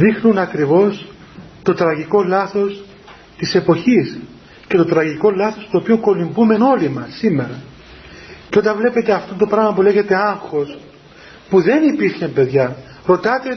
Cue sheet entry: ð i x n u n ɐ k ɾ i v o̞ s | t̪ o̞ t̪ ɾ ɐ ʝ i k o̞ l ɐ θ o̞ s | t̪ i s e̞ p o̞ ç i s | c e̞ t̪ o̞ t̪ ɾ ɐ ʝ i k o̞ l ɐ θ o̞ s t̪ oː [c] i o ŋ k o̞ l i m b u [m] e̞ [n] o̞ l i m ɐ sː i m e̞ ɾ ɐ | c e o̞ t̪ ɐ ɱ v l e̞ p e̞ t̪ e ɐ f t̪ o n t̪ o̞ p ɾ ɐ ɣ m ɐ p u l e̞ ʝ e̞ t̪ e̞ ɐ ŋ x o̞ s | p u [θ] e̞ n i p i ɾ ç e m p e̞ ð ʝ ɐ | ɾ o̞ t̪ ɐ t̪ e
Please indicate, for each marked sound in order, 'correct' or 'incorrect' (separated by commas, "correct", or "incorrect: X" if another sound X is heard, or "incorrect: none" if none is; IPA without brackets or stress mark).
incorrect: p, correct, correct, incorrect: ð